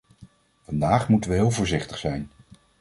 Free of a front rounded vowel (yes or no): yes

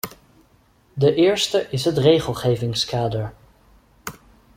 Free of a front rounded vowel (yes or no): yes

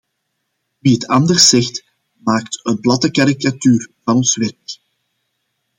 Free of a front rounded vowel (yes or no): no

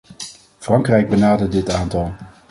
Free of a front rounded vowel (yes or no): yes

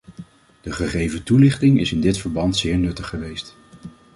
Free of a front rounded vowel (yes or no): yes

